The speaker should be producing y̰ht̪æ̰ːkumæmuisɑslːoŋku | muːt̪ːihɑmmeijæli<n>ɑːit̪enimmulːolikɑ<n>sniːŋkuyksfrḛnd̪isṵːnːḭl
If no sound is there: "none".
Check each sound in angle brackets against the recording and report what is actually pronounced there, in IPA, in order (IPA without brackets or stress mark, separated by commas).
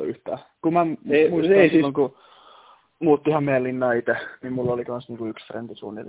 nː, n